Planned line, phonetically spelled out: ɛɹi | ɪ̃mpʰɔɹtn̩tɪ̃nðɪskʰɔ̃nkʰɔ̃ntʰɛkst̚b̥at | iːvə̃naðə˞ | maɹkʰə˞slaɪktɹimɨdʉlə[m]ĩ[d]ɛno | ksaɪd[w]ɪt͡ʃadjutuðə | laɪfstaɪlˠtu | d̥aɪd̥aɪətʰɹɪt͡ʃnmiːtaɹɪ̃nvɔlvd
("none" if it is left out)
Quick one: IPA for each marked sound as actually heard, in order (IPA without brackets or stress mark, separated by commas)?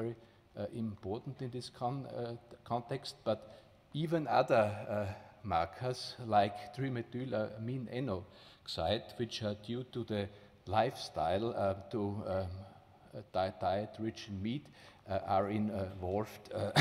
m, n, w